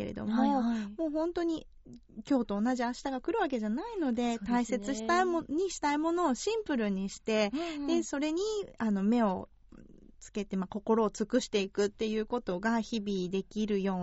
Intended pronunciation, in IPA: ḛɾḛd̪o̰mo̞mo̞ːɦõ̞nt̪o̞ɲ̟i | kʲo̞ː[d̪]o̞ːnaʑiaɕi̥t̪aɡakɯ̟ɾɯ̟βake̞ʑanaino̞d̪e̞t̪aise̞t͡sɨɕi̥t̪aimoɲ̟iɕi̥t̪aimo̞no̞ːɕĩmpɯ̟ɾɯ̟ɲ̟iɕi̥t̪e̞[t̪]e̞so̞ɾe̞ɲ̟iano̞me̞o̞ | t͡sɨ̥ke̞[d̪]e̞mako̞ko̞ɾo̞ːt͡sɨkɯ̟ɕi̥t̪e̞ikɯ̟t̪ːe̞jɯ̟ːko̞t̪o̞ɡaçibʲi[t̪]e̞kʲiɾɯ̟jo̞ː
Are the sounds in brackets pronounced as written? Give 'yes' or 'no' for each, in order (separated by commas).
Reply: no, no, no, no